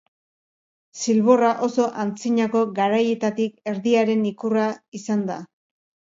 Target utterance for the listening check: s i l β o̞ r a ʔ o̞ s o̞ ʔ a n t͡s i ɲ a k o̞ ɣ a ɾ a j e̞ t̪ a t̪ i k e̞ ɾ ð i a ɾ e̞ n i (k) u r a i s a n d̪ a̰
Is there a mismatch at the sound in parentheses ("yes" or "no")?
no